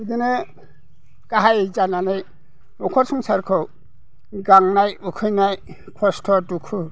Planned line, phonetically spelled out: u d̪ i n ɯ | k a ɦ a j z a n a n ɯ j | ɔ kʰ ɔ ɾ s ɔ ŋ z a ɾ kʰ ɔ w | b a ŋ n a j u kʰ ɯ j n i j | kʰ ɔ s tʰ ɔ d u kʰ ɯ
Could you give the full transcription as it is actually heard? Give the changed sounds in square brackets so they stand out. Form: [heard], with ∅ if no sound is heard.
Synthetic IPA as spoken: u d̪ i n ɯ | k a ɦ a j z a n a n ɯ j | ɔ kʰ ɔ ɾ s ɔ ŋ [s] a ɾ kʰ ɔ w | [ɡ] a ŋ n a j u kʰ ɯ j n [a] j | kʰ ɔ s tʰ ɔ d u kʰ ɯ